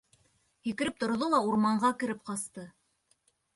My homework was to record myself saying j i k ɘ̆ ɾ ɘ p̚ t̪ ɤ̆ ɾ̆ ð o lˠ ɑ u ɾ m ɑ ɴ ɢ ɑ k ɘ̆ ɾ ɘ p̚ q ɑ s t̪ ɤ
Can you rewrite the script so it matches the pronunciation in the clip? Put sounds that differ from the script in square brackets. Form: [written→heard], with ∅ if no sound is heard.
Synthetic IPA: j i k ɘ̆ ɾ ɘ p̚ t̪ [ɤ̆→ŏ] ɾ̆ ð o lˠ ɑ u ɾ m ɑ ɴ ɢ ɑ k ɘ̆ ɾ ɘ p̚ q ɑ s t̪ ɤ

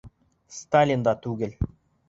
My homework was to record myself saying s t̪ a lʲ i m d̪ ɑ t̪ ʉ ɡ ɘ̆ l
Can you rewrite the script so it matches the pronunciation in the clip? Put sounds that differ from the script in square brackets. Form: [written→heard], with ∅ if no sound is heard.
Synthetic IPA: s t̪ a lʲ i [m→n] d̪ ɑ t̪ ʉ ɡ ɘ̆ l

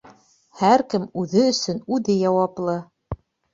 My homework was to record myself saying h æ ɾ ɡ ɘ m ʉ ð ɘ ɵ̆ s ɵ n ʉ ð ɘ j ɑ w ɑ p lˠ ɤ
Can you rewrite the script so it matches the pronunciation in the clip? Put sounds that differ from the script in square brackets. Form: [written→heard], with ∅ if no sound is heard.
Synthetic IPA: h æ ɾ [ɡ→k] ɘ m ʉ ð ɘ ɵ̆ s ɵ n ʉ ð ɘ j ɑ w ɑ p lˠ ɤ

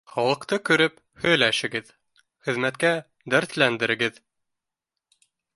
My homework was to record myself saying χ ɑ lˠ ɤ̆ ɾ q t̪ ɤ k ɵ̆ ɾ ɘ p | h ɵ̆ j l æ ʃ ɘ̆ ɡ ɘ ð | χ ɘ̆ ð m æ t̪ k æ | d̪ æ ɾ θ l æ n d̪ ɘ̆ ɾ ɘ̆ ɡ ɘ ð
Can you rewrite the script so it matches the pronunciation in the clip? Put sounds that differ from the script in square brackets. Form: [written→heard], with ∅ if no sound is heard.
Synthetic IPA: χ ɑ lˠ ɤ̆ [ɾ→∅] q t̪ ɤ k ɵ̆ ɾ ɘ p | h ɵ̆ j l æ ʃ ɘ̆ ɡ ɘ ð | χ ɘ̆ ð m æ t̪ k æ | d̪ æ ɾ θ l æ n d̪ ɘ̆ ɾ ɘ̆ ɡ ɘ ð

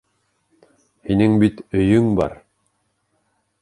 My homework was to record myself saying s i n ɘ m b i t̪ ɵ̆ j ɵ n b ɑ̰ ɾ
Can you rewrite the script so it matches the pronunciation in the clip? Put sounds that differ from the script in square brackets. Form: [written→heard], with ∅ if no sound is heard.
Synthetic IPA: [s→h] i n ɘ [m→ŋ] b i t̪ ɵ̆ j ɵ [n→ŋ] b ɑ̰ ɾ

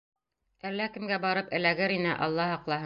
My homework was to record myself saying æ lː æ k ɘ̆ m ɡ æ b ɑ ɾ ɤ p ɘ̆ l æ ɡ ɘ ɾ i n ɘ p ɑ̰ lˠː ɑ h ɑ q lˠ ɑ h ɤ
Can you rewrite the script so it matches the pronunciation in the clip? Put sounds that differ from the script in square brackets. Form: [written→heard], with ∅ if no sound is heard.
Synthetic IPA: æ lː æ k ɘ̆ m ɡ æ b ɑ ɾ ɤ p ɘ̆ l æ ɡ ɘ ɾ i n ɘ [p→ʔ] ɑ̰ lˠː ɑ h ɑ q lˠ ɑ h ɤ

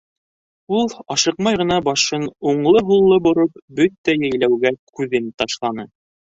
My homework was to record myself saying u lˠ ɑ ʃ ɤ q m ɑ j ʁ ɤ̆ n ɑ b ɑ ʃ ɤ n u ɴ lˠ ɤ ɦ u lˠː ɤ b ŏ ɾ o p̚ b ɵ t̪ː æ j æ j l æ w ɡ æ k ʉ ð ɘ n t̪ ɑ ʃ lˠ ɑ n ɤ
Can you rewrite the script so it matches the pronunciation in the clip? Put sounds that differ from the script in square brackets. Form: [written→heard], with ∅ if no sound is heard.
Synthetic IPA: u lˠ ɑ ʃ ɤ q m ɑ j ʁ ɤ̆ n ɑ b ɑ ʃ ɤ n u ɴ lˠ ɤ ɦ u lˠː ɤ b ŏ ɾ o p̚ b ɵ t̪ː æ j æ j l æ w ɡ æ k ʉ ð ɘ n t̪ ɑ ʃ lˠ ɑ n ɤ

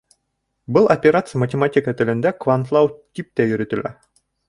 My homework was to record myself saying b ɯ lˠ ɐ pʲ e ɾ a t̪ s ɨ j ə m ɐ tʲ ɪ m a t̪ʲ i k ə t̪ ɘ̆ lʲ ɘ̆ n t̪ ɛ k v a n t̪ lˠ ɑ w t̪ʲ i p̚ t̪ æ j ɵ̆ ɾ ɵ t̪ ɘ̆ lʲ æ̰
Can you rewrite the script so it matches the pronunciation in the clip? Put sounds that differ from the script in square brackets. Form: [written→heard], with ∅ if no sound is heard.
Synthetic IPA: b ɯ lˠ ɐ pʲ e ɾ a t̪ s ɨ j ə m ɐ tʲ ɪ m a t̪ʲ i k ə t̪ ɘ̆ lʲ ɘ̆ n [t̪→d̪] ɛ k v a n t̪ lˠ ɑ w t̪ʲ i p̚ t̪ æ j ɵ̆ ɾ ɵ t̪ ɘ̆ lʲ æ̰

